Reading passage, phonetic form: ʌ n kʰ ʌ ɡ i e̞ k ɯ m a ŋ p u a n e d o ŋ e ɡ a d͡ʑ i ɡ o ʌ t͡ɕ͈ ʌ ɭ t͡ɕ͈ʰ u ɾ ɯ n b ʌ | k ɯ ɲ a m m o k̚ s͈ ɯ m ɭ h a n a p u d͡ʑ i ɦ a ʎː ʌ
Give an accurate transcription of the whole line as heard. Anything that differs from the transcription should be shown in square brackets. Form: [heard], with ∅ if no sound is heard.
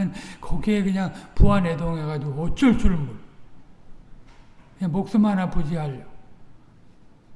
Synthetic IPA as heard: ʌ n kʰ ʌ ɡ i e̞ k ɯ [ɲ] a ŋ p u a n e d o ŋ e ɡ a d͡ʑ i ɡ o ʌ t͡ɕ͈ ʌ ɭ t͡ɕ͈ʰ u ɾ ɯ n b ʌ | k ɯ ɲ a [ŋ] m o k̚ s͈ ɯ m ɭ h a n a p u d͡ʑ i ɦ a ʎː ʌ